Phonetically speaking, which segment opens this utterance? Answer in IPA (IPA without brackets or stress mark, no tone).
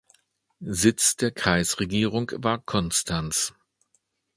z